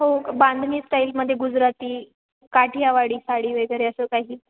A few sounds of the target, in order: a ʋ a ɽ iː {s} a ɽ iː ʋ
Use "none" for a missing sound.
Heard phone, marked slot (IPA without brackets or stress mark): s